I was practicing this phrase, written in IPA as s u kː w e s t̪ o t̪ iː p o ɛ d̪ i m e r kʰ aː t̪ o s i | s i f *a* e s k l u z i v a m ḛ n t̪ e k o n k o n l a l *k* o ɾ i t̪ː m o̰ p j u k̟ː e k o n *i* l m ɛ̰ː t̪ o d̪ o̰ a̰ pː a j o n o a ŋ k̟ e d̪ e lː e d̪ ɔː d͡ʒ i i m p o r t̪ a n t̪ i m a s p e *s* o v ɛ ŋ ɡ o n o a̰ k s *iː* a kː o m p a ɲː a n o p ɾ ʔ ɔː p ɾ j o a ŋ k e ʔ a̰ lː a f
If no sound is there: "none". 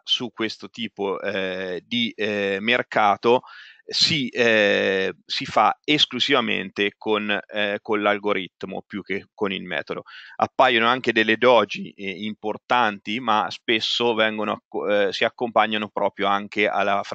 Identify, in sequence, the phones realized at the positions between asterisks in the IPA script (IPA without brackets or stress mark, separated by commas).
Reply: a, ɡ, i, sː, i